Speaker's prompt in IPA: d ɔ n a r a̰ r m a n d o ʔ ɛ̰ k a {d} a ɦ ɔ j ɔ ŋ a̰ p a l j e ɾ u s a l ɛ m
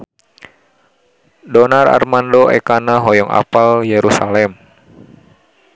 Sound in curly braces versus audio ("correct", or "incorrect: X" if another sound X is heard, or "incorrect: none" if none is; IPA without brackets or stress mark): incorrect: n